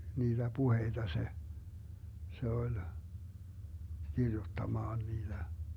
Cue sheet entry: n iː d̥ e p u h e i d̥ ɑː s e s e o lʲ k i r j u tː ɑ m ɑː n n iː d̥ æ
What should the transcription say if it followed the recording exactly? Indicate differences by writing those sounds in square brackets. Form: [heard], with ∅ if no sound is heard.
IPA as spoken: n iː d̥ [æ] p u h e i d̥ [ɑ] s e s e o lʲ k i r j u tː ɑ m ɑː n n iː d̥ æ